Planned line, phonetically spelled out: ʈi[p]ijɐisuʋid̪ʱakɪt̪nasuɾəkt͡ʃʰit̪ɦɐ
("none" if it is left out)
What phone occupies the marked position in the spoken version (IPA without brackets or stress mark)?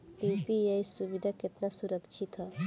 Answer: p